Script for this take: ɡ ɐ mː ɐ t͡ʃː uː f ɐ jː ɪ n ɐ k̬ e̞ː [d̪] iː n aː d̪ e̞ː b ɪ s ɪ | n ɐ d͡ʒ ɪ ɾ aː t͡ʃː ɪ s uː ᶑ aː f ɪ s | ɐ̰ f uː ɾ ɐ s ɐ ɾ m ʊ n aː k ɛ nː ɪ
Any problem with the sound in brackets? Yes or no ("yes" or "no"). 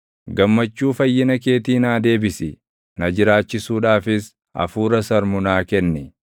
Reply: yes